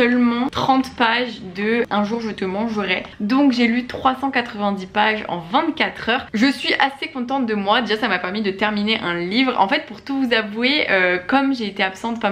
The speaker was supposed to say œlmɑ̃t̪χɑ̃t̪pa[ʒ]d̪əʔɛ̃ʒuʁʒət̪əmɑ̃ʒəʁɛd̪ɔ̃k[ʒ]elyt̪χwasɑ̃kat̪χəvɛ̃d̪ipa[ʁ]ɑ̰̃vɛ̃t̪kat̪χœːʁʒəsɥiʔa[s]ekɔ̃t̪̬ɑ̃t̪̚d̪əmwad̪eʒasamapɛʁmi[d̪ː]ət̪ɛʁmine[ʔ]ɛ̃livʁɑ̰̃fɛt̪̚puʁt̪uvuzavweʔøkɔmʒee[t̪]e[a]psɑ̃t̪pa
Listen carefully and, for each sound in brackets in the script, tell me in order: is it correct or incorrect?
correct, correct, incorrect: ʒ, correct, incorrect: d̪, correct, correct, correct

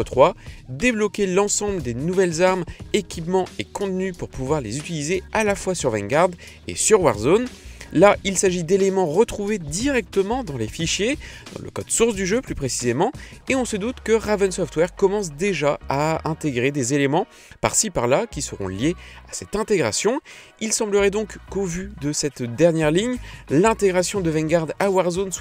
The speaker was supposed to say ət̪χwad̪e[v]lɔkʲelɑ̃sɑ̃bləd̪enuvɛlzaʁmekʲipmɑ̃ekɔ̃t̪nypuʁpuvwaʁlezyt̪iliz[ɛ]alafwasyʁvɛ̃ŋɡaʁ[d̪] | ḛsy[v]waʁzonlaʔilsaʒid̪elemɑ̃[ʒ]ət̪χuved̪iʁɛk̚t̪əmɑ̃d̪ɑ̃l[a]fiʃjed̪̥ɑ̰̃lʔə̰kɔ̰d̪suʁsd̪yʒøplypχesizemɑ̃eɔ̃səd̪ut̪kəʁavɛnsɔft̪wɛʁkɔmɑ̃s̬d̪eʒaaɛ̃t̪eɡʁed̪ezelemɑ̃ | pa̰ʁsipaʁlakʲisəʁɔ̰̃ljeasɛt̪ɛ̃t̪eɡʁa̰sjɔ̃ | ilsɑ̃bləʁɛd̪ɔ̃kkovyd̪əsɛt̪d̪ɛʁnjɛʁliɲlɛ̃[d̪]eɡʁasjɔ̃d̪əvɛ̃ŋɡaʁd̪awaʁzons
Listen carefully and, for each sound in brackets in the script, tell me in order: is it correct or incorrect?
incorrect: b, incorrect: e, correct, incorrect: ʁ, incorrect: ʁ, incorrect: e, incorrect: t̪

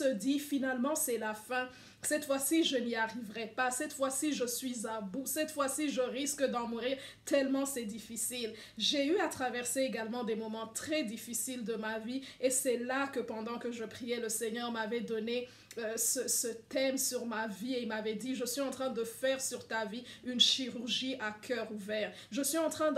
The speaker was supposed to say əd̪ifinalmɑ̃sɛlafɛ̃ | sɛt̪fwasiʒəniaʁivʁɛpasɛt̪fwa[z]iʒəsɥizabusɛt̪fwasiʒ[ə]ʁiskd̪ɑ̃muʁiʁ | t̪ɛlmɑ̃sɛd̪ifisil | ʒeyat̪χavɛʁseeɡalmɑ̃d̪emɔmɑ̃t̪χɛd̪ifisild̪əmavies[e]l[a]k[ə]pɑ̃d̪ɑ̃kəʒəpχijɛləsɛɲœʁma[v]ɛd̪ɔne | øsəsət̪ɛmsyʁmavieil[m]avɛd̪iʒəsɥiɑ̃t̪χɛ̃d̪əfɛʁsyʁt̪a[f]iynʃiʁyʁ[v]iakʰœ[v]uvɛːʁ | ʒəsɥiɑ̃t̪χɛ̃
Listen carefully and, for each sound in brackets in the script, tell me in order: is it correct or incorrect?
incorrect: s, correct, incorrect: ɛ, correct, correct, correct, correct, incorrect: v, incorrect: ʒ, incorrect: ʁ

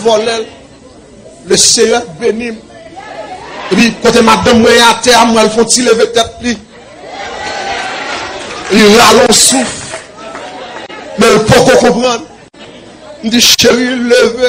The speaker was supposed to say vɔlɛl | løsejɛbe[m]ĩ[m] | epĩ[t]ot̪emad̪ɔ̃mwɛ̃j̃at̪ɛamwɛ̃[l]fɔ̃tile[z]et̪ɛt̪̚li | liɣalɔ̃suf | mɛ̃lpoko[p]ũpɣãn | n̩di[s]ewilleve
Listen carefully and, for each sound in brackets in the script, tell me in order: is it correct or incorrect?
incorrect: n, correct, incorrect: k, correct, incorrect: v, incorrect: k, incorrect: ʃ

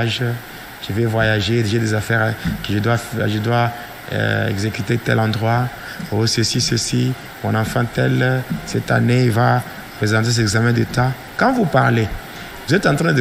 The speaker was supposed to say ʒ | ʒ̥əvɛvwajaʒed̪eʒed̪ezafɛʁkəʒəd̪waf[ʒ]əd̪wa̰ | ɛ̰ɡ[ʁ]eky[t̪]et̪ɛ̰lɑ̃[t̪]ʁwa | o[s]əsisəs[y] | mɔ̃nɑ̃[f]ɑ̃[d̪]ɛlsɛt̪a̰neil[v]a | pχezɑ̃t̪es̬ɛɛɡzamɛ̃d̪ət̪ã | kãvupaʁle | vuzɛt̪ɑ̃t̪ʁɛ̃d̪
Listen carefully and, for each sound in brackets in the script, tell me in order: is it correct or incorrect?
correct, incorrect: z, correct, incorrect: d̪, correct, incorrect: i, correct, incorrect: t̪, correct

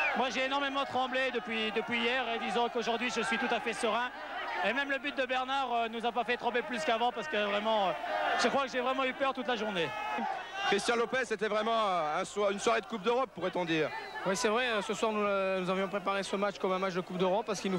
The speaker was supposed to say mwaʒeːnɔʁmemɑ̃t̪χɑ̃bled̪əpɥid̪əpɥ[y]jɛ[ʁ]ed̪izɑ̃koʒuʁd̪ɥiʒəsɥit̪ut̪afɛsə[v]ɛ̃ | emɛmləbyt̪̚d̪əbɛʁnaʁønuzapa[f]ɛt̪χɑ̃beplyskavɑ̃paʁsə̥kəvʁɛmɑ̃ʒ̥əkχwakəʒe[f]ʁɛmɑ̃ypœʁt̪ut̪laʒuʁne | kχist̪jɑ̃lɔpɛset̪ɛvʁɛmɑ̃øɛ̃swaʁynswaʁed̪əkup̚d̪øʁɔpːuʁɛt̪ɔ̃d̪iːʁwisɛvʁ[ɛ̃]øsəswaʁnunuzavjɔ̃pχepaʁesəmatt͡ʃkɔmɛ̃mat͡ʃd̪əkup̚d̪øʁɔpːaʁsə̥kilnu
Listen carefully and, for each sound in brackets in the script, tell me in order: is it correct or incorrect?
incorrect: i, correct, incorrect: ʁ, correct, incorrect: v, incorrect: ɛ

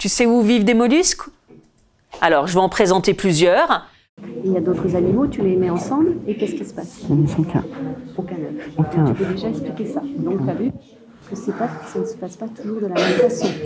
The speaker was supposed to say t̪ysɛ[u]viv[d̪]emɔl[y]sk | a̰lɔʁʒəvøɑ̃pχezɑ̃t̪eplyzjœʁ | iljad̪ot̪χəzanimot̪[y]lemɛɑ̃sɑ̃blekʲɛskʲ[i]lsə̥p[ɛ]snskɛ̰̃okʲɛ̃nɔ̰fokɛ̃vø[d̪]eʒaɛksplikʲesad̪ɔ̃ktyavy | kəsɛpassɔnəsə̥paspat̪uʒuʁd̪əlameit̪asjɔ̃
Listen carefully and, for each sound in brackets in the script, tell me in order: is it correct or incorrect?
correct, correct, correct, correct, correct, incorrect: a, correct

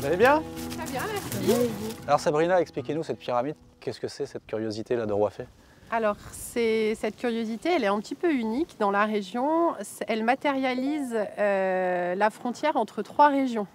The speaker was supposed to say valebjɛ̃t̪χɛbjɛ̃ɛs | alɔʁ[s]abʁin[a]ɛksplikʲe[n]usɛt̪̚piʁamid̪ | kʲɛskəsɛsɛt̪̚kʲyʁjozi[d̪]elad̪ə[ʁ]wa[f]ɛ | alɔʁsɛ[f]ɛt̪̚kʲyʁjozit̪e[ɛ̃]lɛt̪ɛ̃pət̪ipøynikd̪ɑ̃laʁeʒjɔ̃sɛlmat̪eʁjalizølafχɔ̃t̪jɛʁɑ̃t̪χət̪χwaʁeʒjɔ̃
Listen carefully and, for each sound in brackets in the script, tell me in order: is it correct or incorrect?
correct, correct, correct, incorrect: t̪, correct, correct, incorrect: s, incorrect: ɛ

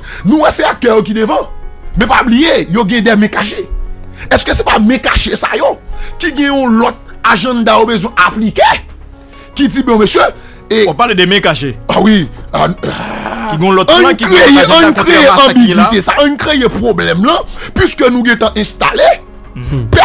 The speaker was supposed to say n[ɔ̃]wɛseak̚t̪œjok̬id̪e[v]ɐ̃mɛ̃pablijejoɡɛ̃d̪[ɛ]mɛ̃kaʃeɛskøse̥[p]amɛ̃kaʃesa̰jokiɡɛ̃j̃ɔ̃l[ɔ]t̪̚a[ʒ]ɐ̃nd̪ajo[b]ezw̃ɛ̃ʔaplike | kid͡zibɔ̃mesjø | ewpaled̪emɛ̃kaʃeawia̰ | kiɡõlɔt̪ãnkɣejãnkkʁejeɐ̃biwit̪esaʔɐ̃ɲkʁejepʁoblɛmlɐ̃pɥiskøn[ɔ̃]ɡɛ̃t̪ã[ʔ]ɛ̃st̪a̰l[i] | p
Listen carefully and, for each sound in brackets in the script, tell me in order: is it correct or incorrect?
incorrect: ũ, correct, correct, correct, correct, correct, correct, incorrect: ũ, correct, incorrect: e

